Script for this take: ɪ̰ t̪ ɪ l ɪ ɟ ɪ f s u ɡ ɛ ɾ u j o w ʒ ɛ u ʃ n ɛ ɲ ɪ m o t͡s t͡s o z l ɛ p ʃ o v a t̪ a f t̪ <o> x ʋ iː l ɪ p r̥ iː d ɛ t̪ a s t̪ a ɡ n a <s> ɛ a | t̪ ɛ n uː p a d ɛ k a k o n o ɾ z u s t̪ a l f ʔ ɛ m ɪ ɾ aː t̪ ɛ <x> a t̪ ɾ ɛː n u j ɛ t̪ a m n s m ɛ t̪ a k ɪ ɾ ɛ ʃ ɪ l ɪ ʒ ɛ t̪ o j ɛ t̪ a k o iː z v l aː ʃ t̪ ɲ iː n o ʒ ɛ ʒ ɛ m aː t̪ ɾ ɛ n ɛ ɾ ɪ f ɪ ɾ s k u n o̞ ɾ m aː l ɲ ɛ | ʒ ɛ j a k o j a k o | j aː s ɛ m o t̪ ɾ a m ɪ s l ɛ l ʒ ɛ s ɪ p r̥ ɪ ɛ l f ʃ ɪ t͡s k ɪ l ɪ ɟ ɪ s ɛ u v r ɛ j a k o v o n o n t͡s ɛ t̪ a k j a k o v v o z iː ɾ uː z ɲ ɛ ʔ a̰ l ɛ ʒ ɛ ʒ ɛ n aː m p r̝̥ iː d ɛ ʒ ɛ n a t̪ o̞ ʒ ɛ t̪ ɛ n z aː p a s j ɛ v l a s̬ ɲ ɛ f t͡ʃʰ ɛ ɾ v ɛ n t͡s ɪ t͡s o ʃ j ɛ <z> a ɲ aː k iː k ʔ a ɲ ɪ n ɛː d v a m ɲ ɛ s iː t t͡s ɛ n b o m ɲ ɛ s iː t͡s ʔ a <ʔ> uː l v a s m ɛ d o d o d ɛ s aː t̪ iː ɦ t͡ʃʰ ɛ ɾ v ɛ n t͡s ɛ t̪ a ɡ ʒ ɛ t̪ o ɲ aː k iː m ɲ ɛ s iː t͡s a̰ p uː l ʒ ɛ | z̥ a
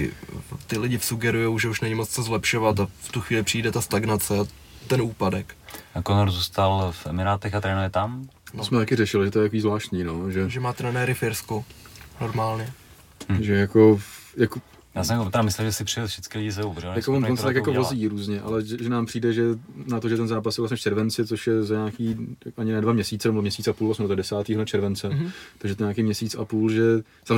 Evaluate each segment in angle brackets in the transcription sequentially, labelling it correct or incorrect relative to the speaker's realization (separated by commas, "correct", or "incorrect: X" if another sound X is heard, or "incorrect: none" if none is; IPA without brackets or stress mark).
incorrect: u, incorrect: t͡s, correct, correct, incorrect: p